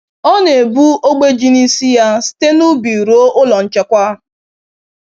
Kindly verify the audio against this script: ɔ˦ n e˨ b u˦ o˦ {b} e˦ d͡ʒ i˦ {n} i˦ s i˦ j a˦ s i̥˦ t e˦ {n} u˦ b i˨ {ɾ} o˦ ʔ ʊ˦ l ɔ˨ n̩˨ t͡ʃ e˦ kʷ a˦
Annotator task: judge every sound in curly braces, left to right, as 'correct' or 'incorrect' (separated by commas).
incorrect, correct, correct, correct